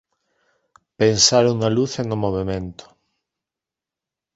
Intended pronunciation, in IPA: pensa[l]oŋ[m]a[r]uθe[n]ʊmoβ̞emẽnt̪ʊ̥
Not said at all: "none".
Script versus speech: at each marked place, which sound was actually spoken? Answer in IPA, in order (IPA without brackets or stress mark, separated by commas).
ɾ, n, l, n